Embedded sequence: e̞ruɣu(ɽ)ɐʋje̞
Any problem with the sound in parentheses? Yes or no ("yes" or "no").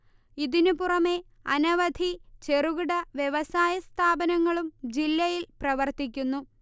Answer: no